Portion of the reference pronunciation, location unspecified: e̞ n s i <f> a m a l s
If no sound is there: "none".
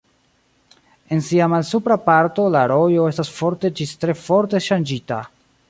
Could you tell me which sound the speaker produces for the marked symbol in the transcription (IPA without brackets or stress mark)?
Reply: none